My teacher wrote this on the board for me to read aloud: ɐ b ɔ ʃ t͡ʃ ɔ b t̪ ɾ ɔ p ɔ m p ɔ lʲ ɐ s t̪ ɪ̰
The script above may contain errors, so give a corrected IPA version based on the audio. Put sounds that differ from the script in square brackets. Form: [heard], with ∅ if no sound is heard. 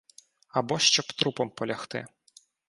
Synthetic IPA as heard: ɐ b ɔ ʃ t͡ʃ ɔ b t̪ ɾ [u] p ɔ m p ɔ lʲ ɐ [x] t̪ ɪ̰